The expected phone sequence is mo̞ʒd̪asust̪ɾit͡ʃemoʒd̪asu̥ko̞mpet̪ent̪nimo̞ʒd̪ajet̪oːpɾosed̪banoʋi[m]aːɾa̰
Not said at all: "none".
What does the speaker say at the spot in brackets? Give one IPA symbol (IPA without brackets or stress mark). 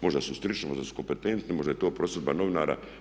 n